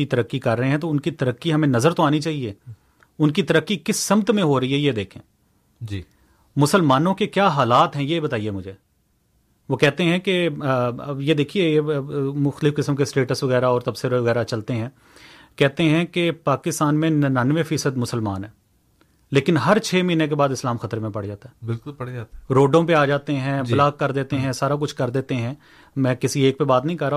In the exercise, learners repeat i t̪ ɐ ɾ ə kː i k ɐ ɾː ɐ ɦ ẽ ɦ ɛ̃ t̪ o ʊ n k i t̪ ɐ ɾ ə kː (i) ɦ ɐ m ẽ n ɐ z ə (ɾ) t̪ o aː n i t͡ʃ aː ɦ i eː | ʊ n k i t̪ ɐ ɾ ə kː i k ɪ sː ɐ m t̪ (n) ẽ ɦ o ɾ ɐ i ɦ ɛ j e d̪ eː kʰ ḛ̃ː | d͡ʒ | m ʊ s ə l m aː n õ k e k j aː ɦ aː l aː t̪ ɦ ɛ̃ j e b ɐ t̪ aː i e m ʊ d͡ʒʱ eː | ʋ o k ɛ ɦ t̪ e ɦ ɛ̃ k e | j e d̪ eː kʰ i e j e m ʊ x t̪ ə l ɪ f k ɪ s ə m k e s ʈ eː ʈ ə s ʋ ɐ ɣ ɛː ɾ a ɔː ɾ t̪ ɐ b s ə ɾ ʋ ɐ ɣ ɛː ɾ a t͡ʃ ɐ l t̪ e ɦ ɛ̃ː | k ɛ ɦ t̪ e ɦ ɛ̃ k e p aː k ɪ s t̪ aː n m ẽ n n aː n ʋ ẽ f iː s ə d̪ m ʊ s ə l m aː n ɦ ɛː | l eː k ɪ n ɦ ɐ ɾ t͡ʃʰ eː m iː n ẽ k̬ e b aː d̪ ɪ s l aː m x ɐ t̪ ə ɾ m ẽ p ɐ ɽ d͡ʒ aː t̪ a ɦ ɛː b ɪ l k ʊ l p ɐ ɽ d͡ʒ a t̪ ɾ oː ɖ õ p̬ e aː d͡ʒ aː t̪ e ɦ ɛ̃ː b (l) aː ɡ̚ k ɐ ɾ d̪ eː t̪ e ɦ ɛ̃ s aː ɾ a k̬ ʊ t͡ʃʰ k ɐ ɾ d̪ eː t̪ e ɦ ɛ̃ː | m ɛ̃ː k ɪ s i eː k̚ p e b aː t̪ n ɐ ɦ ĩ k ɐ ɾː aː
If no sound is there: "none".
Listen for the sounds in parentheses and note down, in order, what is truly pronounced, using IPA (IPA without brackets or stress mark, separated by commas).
i, ɾ, m, l